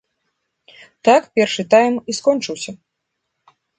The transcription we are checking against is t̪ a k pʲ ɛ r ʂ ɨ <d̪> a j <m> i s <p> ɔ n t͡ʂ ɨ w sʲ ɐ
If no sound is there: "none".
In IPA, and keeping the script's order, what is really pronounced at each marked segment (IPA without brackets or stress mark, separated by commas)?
t̪, m, k